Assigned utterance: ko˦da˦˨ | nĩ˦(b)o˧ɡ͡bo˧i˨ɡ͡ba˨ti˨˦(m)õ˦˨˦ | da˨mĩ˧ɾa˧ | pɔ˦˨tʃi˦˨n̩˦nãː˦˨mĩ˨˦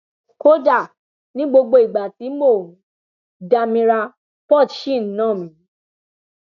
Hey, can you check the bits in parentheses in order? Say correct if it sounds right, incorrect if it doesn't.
incorrect: ɡ͡b, correct

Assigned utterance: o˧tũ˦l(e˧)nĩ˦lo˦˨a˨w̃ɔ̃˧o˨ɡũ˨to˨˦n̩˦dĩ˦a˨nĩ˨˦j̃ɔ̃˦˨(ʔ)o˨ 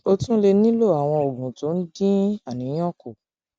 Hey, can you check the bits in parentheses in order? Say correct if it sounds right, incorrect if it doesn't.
correct, incorrect: k

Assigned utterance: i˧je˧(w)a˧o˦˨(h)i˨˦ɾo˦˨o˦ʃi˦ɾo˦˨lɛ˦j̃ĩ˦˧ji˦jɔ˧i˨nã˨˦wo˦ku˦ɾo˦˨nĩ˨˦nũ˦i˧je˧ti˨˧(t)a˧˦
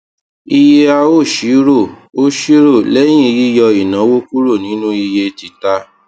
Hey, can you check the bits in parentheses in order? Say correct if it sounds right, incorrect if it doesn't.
incorrect: none, incorrect: ʃ, correct

